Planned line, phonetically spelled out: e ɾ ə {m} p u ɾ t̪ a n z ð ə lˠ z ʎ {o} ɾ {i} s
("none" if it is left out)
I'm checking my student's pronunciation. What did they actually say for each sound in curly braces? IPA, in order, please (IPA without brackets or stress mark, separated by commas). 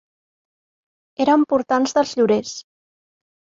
m, u, e